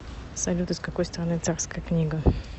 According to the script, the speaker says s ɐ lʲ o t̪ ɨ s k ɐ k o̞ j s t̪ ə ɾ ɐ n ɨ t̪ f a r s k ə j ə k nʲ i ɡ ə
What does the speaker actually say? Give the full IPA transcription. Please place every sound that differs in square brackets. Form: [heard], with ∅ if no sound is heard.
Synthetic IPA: s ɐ lʲ [u] t̪ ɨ s k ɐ k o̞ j s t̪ ə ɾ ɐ n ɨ t̪ [s] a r s k ə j ə k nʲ i ɡ ə